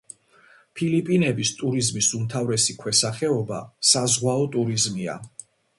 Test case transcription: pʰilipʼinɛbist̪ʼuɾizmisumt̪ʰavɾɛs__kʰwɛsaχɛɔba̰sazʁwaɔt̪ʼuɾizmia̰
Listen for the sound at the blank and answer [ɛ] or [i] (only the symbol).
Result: i